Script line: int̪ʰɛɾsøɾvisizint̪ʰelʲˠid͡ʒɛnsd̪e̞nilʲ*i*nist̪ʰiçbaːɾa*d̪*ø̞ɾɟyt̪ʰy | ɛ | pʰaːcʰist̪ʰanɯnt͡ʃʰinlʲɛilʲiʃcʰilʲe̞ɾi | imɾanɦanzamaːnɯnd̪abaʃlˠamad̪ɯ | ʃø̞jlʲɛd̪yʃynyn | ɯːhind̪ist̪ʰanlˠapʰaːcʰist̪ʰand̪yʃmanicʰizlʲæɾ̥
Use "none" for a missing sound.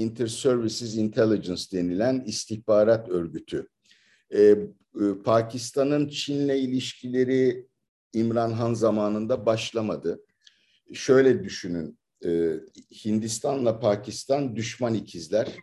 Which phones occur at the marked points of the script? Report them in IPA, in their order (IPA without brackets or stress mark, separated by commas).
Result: æ, t̪